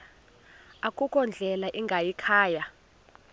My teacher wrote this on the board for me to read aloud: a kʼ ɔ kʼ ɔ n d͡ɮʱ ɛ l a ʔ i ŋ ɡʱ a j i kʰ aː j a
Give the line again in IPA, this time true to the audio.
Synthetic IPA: a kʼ u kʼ ɔ n d͡ɮʱ ɛ l a ʔ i ŋ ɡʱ a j i kʰ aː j a